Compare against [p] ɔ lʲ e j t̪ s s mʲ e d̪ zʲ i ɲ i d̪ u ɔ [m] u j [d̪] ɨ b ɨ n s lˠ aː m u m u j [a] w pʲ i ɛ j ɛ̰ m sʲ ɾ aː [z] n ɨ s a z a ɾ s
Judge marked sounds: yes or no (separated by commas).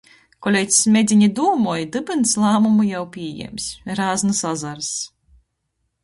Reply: no, yes, yes, yes, yes